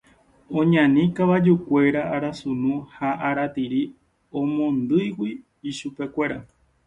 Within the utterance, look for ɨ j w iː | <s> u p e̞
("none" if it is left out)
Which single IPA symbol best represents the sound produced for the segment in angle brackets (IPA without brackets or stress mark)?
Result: ʃ